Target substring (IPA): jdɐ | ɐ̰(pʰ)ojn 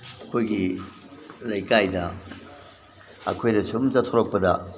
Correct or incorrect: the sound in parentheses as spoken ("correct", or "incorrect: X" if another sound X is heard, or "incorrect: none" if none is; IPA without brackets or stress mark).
incorrect: kʰ